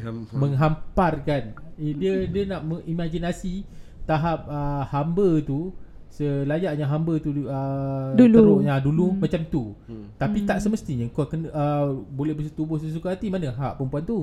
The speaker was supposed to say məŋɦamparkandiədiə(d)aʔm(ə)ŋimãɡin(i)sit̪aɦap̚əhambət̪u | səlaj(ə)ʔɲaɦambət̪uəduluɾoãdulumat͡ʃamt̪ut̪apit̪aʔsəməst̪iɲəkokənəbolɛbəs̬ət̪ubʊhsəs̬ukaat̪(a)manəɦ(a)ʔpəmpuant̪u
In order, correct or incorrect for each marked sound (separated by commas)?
incorrect, correct, incorrect, incorrect, incorrect, correct